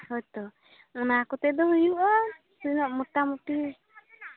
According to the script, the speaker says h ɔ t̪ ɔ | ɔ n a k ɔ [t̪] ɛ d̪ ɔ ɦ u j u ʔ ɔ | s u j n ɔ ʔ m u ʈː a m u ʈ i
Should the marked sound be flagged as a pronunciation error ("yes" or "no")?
no